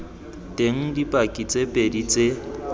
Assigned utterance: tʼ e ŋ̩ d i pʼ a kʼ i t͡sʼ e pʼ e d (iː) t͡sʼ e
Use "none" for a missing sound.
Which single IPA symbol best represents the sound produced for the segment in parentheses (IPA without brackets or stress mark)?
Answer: i